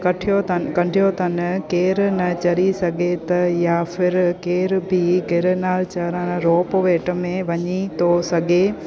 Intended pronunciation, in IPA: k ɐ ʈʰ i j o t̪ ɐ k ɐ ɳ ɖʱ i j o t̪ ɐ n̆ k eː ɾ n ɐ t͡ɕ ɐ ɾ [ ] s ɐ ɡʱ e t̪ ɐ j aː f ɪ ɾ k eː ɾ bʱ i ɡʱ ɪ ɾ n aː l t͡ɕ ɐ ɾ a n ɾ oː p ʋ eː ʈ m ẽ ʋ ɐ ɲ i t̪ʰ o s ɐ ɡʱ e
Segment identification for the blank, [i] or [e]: i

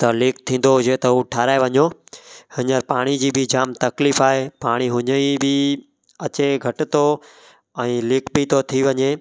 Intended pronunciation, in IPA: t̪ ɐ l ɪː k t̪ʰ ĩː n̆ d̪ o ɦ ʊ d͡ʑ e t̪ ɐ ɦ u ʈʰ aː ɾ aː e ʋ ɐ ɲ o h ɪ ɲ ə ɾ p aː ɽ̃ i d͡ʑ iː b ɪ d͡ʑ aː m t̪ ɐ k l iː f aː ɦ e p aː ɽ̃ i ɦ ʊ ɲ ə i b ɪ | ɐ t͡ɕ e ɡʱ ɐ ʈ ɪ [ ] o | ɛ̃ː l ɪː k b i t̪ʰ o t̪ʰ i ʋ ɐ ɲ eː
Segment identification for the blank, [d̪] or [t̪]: t̪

